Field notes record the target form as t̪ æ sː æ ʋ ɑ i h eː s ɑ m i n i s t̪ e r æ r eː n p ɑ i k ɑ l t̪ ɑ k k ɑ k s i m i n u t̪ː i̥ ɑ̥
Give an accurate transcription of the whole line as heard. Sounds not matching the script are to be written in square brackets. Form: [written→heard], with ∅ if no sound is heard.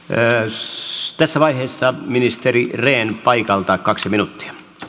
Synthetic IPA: t̪ æ sː æ ʋ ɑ i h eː [s→sː] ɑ m i n i s t̪ e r [æ→i] r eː n p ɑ i k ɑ l t̪ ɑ k k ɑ k s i m i n u t̪ː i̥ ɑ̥